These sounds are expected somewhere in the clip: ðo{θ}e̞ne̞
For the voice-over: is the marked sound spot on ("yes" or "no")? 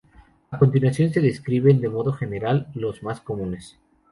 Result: no